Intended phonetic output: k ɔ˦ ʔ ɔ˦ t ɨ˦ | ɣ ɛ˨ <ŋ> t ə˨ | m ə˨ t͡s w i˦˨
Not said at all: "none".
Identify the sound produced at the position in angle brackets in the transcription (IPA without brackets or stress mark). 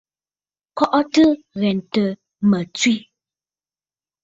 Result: n